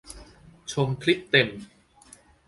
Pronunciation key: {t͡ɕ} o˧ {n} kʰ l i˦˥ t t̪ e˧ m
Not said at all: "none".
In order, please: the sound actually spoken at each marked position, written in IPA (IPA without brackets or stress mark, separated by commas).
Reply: t͡ɕʰ, m